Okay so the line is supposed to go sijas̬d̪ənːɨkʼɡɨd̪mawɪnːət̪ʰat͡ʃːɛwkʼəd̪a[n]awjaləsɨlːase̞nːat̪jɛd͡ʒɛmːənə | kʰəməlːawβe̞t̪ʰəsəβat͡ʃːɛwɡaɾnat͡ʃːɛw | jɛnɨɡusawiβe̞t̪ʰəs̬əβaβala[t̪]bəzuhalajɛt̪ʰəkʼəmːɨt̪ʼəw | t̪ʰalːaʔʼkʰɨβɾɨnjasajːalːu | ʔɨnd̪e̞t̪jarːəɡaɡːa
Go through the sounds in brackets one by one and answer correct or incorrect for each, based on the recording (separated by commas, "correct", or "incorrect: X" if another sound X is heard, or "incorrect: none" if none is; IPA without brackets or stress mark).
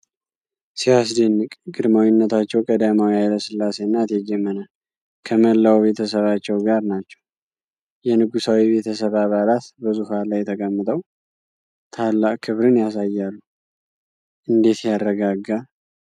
incorrect: m, correct